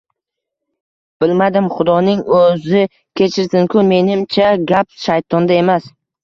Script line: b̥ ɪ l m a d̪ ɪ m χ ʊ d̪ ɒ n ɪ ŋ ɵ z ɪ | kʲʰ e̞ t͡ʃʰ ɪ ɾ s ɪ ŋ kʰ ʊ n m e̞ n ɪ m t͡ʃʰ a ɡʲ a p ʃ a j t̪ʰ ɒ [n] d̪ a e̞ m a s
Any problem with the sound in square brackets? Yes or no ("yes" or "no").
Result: no